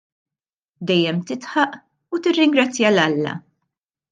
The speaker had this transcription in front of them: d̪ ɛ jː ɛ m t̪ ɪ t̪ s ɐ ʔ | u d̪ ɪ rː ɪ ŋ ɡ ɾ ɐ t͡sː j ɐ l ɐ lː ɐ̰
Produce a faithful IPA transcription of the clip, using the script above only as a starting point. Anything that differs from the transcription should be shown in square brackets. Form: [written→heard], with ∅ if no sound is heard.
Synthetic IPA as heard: d̪ ɛ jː ɛ m t̪ ɪ t̪ [s→ħ] ɐ ʔ | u [d̪→t̪] ɪ rː ɪ ŋ ɡ ɾ ɐ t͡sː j ɐ l ɐ lː ɐ̰